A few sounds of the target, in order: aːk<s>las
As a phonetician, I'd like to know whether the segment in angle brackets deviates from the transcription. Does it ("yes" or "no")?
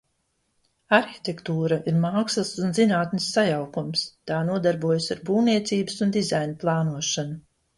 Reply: no